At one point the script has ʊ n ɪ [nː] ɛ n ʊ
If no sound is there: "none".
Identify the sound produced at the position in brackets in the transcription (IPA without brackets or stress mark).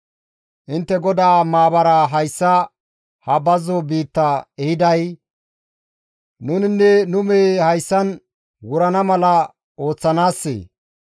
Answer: nː